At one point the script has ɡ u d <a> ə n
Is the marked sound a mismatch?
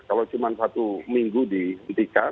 yes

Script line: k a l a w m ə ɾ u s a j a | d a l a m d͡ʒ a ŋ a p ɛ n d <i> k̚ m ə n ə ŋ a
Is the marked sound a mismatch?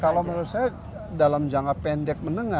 yes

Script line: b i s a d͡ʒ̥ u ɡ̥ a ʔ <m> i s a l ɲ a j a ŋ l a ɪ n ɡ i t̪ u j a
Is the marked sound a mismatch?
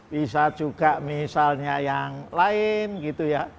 no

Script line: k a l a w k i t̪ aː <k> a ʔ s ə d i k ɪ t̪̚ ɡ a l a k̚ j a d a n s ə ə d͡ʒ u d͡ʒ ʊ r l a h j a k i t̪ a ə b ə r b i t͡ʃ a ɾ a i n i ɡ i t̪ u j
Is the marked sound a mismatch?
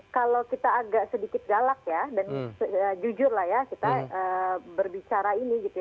yes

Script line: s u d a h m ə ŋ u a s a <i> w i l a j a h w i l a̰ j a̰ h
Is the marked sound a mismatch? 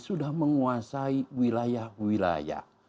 no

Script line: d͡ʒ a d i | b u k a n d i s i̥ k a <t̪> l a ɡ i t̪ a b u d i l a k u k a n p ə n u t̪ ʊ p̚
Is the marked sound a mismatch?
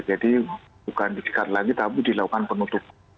no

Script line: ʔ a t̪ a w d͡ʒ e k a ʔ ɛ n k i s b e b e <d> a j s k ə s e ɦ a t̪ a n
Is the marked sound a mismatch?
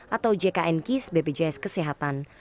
yes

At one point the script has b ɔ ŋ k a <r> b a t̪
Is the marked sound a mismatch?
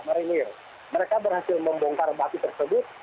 no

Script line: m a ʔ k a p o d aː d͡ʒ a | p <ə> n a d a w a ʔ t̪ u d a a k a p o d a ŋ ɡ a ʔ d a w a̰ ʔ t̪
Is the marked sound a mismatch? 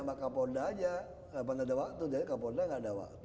yes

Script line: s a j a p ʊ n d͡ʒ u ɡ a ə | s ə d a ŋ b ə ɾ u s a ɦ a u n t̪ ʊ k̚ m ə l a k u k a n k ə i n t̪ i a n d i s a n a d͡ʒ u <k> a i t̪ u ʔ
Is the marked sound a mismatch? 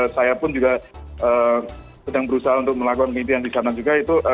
yes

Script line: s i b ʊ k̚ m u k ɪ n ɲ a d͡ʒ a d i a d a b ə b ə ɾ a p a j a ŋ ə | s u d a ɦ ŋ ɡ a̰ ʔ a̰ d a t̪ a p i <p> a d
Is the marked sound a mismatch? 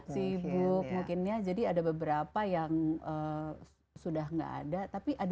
yes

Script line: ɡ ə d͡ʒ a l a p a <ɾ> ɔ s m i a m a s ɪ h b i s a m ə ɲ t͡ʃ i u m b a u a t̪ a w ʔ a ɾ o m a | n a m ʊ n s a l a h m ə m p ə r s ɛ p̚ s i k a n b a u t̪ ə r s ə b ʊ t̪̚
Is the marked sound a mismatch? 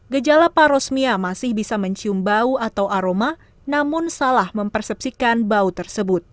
no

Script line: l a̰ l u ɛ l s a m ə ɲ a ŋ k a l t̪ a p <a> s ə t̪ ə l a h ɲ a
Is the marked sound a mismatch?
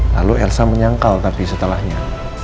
yes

